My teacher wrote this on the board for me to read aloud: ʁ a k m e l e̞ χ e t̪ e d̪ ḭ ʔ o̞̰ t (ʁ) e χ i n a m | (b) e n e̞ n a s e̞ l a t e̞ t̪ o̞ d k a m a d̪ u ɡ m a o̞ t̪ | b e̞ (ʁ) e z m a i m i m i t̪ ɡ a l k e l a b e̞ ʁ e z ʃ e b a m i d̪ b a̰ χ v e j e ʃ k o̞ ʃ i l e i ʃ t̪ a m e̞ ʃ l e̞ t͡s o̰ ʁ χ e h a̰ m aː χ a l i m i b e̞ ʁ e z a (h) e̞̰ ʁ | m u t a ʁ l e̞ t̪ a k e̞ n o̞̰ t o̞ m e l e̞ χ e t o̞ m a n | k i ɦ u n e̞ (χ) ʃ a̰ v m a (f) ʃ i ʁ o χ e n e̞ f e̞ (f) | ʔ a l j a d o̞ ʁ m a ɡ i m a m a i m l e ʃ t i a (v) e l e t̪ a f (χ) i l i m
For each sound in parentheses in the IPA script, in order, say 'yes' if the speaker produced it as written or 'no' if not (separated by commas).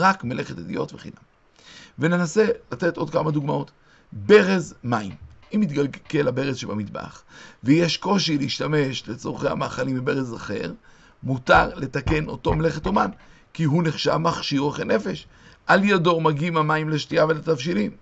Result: no, no, yes, no, yes, no, no, yes, no